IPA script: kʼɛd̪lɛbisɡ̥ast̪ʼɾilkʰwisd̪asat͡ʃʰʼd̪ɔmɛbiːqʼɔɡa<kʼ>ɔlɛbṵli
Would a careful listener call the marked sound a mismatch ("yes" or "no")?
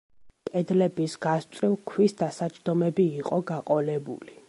yes